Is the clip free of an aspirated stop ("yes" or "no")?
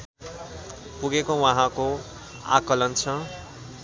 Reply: no